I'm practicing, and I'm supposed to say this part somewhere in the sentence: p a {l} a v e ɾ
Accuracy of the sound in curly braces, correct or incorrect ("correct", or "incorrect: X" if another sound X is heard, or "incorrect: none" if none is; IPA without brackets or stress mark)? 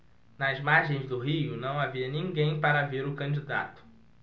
incorrect: ɾ